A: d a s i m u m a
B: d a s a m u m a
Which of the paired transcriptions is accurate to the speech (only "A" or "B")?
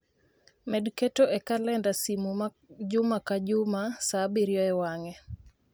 A